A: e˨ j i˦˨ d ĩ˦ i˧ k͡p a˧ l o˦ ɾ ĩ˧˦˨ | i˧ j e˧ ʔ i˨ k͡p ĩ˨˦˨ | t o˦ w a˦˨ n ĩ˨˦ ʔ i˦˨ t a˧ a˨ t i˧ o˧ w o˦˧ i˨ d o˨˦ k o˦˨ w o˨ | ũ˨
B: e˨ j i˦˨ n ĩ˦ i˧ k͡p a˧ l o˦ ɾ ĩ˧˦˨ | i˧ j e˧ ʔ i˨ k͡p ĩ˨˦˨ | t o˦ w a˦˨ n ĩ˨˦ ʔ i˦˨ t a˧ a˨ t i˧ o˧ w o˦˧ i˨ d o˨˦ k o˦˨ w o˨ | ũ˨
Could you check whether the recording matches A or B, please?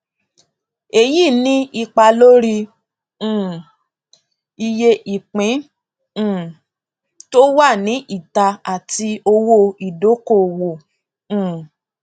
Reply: B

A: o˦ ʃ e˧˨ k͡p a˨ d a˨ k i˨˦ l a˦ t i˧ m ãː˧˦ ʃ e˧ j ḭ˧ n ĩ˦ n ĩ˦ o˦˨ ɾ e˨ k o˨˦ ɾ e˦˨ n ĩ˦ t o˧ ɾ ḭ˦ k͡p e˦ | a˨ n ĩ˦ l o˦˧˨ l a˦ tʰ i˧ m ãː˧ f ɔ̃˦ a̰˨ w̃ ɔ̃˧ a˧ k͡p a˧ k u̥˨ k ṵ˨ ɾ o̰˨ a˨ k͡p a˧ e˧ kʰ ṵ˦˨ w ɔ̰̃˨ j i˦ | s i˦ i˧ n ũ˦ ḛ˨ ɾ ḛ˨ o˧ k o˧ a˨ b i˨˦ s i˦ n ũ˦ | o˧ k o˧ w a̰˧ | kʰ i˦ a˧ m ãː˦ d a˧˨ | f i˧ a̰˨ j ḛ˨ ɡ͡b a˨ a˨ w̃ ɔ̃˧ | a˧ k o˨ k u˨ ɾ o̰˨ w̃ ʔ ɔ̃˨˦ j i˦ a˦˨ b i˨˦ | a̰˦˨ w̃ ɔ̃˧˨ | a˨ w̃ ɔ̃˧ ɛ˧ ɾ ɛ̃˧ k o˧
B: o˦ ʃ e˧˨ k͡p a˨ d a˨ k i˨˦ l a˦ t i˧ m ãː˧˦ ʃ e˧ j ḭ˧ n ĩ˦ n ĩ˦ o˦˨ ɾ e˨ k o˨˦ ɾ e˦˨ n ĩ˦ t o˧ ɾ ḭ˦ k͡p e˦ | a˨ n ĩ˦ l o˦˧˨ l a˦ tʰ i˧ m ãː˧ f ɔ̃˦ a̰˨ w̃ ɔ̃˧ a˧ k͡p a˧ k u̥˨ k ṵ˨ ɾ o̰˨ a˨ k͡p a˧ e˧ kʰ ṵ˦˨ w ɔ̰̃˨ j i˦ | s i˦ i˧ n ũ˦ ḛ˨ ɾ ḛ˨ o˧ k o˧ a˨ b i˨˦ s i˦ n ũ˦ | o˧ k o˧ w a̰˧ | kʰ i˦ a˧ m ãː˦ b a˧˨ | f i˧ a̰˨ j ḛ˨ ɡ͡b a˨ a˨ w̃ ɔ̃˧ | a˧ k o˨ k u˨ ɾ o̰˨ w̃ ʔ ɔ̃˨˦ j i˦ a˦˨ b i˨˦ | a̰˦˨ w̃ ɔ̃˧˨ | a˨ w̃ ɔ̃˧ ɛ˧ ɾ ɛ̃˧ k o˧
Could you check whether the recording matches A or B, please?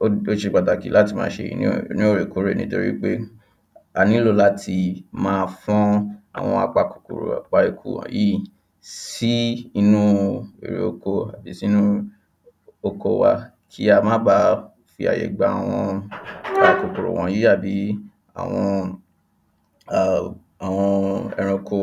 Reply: B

